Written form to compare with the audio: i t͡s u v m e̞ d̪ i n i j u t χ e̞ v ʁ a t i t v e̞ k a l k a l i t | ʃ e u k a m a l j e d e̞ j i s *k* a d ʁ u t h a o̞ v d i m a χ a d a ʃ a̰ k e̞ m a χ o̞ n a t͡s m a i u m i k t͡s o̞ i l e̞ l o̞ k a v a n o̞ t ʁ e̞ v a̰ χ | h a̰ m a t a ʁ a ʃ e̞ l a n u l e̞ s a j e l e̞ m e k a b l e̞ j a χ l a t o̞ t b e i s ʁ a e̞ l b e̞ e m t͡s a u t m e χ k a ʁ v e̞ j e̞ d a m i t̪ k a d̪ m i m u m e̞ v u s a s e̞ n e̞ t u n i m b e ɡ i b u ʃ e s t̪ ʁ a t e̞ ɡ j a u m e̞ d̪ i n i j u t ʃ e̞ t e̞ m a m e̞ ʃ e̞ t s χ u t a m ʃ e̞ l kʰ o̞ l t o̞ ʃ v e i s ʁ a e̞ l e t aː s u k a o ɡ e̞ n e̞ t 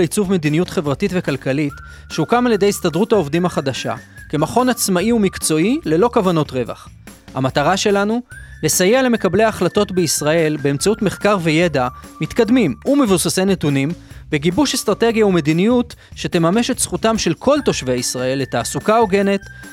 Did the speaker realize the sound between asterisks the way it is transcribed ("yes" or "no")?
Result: no